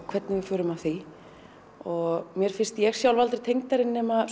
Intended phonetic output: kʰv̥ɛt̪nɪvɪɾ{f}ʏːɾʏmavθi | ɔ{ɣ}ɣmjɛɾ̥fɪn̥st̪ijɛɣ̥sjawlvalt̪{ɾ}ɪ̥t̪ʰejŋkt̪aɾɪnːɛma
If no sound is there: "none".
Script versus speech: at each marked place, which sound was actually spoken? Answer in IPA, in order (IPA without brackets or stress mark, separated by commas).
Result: f, ɣ, ɾ